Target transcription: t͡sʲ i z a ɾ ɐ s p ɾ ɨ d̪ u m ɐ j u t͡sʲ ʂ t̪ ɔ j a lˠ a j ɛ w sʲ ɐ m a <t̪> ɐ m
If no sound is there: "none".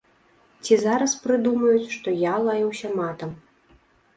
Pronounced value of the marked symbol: t̪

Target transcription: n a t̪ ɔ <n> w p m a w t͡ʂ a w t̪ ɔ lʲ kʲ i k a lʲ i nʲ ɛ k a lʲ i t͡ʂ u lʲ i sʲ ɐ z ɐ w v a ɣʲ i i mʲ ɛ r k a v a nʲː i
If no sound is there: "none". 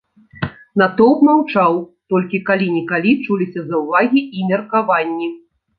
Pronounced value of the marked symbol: none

